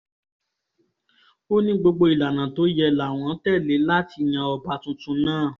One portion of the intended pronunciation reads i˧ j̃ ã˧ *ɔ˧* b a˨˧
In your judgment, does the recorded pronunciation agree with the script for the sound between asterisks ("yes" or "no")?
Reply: yes